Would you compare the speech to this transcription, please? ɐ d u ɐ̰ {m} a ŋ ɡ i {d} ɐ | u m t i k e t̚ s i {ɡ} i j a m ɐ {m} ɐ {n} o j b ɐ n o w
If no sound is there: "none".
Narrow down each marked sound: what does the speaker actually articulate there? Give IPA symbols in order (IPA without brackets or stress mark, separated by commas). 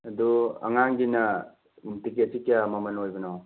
ŋ, n, k, m, n